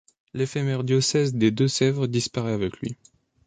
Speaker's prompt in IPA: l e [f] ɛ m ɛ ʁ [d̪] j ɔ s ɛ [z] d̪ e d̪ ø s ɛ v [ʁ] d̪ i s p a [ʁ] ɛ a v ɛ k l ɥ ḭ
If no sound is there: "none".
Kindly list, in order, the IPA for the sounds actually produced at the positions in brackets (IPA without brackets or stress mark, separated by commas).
f, d̪, z, ʁ, ʁ